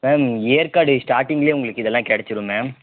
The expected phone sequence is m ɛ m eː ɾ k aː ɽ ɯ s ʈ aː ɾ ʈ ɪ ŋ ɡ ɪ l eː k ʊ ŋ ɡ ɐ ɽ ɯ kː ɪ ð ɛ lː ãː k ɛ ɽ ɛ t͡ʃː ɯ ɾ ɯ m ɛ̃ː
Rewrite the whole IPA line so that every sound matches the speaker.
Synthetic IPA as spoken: m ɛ m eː ɾ k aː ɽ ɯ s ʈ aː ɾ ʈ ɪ ŋ ɡ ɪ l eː ʊ ŋ ɡ ɐ ɭ ɯ kː ɪ ð ɛ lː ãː k ɛ ɽ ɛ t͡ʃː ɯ ɾ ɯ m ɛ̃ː